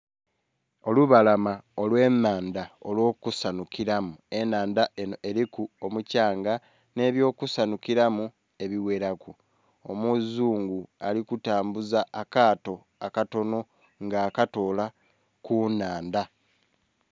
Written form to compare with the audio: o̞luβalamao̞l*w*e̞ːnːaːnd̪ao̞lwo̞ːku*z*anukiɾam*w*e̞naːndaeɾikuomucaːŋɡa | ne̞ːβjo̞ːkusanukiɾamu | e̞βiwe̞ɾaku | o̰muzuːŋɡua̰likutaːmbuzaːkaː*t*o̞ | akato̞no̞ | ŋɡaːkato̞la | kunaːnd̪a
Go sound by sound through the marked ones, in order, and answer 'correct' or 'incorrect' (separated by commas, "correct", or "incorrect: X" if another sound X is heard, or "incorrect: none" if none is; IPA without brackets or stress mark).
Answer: correct, incorrect: s, incorrect: u, correct